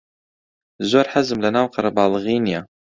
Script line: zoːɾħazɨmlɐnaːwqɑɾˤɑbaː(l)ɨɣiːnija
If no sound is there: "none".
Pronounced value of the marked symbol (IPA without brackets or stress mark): l